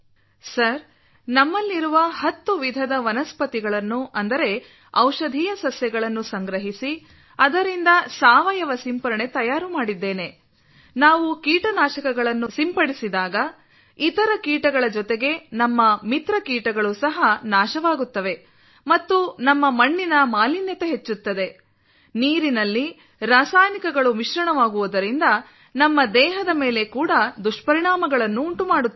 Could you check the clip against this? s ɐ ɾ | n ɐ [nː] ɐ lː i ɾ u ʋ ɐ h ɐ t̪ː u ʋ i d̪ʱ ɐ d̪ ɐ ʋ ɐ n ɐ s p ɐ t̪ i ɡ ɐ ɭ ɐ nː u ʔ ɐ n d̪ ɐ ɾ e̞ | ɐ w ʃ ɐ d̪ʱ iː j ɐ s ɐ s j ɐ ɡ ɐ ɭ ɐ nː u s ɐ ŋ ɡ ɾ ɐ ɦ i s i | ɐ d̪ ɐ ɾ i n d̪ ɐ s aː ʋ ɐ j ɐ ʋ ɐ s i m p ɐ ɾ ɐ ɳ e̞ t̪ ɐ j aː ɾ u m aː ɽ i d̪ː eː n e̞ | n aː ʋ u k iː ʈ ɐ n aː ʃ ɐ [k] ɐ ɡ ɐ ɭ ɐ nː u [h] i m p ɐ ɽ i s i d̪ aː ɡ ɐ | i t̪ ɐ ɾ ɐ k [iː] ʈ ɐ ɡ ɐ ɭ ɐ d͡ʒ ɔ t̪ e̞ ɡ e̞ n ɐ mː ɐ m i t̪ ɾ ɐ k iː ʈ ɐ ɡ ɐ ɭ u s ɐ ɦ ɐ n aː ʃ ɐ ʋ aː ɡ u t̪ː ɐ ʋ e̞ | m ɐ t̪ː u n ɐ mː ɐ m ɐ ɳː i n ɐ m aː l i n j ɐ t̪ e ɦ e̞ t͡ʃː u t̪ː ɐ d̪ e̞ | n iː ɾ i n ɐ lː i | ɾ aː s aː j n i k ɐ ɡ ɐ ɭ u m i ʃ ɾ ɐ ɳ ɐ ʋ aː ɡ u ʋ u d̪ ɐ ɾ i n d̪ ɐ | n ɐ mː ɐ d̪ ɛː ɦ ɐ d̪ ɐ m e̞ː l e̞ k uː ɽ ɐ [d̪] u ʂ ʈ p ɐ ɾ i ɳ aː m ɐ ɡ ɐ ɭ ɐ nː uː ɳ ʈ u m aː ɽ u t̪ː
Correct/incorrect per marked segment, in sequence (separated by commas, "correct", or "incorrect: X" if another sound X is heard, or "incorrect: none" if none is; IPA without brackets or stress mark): incorrect: mː, correct, incorrect: s, correct, correct